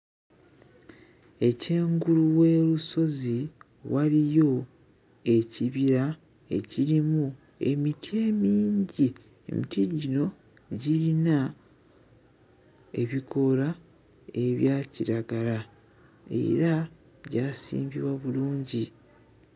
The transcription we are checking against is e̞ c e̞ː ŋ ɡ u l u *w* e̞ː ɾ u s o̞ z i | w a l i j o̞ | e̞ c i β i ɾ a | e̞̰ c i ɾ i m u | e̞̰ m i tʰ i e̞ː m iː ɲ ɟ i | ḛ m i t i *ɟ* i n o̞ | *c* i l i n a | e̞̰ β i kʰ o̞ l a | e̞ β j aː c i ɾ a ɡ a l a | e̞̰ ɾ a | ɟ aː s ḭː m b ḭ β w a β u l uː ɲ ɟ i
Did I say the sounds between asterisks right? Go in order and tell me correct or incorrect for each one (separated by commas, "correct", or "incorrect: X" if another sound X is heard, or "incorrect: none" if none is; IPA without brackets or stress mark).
correct, correct, incorrect: ɟ